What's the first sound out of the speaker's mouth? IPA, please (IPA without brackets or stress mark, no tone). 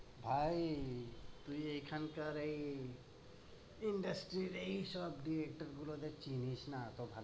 bʱ